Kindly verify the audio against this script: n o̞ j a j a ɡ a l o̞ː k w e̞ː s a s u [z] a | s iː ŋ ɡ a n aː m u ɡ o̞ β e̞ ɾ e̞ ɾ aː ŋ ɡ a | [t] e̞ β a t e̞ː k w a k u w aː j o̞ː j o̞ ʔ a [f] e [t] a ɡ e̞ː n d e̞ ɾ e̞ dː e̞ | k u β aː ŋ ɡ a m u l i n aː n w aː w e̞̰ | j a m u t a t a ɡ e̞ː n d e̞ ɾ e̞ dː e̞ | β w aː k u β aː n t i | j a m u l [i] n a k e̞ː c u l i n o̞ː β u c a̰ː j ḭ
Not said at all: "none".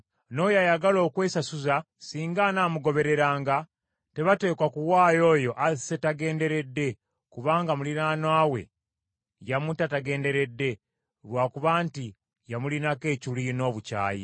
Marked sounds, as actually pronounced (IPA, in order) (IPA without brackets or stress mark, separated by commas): z, t, s, t, i